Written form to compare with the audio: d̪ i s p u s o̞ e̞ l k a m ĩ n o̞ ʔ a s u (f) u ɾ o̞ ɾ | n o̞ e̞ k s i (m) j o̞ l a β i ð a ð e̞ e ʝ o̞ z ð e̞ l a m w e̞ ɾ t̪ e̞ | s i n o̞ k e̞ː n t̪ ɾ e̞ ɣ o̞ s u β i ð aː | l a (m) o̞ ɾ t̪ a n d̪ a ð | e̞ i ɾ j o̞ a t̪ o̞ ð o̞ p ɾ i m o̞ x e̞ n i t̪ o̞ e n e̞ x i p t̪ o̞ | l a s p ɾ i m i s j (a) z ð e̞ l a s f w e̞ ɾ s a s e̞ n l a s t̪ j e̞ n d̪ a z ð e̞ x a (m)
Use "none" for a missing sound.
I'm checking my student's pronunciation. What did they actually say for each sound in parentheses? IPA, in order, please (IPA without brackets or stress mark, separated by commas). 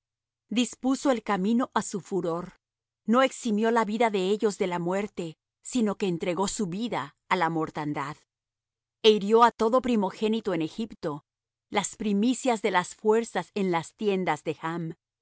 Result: f, m, m, a, m